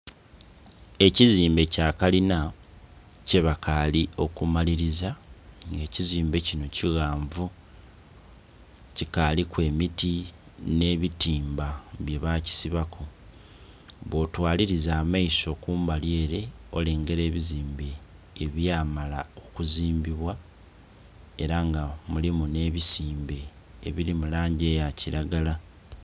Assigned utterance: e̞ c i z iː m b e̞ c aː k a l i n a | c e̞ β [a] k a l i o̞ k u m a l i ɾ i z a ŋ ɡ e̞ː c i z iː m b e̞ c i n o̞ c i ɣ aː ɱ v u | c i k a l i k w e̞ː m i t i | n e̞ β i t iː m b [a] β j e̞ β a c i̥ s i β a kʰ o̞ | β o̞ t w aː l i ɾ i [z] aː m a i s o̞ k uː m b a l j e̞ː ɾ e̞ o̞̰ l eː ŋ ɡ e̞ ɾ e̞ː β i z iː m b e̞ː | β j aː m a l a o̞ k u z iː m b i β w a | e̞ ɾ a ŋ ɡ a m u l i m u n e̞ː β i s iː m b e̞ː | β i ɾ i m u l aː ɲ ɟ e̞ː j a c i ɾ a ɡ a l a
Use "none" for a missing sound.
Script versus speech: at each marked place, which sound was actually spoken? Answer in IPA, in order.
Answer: a, a, z

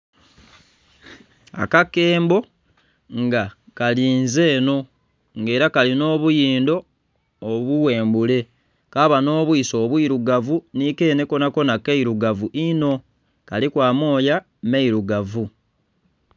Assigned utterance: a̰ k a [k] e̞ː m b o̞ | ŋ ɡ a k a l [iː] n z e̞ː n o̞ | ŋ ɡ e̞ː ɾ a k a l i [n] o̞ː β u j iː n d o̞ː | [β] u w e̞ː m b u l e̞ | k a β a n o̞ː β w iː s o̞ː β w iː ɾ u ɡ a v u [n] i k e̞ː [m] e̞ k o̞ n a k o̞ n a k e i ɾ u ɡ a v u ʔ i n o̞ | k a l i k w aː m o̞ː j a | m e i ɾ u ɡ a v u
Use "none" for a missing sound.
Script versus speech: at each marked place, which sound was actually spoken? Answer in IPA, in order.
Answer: k, iː, n, β, n, n

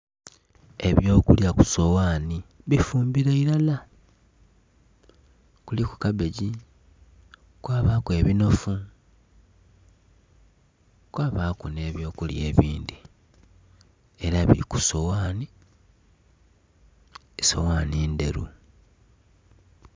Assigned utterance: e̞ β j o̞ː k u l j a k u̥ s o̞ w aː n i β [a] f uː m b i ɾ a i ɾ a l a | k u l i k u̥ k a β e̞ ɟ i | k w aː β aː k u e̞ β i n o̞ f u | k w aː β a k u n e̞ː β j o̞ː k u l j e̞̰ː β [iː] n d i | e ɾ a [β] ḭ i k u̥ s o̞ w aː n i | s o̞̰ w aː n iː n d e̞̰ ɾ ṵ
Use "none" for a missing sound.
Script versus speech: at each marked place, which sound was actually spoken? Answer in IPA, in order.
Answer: i, iː, β

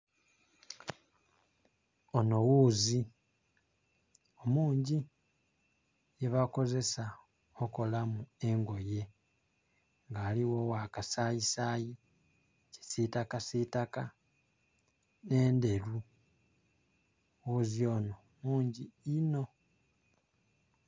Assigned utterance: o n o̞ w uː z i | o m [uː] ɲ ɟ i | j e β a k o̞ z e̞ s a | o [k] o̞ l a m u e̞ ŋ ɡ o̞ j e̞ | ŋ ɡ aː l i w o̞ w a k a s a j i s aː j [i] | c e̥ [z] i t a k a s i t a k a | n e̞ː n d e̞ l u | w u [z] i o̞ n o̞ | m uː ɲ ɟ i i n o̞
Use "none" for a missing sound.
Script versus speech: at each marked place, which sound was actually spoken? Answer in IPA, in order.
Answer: uː, k, i, s, z

